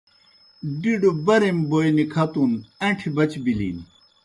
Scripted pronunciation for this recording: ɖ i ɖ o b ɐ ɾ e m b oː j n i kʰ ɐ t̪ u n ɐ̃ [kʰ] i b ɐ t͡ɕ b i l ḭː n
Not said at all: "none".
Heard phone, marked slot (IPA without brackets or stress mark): ʈʰ